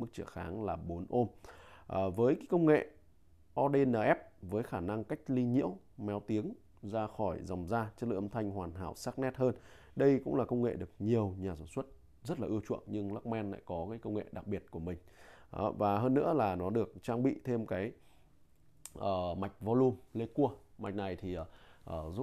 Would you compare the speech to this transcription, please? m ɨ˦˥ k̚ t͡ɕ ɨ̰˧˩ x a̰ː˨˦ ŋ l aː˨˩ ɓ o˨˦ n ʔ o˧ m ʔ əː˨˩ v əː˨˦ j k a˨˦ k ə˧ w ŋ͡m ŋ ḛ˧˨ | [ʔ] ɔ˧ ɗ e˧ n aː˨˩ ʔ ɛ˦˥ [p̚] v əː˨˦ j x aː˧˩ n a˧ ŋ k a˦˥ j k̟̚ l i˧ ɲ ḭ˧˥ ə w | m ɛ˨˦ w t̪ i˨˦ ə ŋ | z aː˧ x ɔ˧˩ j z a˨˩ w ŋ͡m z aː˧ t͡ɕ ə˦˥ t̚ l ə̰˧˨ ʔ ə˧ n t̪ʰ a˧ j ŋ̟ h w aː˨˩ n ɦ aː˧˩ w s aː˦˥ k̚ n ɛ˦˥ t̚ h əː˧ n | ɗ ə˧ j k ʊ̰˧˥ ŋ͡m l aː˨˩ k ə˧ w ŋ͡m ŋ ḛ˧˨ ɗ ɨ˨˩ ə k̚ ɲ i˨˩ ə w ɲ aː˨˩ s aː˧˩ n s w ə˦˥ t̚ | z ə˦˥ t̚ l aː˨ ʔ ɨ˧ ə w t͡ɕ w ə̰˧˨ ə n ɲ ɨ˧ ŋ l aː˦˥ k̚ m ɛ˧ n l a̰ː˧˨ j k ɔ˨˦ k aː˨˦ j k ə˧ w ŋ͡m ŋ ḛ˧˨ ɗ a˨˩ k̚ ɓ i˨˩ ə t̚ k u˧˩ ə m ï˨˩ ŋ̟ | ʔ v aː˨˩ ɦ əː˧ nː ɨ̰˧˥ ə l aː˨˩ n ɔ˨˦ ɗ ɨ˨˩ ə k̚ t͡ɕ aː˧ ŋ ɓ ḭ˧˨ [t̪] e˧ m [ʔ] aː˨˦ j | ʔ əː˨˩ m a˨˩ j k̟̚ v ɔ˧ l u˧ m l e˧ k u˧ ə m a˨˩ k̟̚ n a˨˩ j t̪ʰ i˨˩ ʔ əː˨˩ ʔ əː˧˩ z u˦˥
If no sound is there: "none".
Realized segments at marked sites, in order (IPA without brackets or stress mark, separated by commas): ʔ, p̚, t̪ʰ, k